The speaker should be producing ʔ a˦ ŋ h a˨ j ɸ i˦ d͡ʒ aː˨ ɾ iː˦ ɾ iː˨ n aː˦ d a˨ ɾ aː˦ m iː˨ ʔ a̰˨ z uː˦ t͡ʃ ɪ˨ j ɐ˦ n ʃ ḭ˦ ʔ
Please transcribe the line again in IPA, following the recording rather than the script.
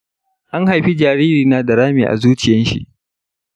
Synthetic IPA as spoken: ʔ a˦ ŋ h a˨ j ɸ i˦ d͡ʒ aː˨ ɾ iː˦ ɾ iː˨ n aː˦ d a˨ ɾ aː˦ m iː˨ ʔ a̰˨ z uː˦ t͡ʃ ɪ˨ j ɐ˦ n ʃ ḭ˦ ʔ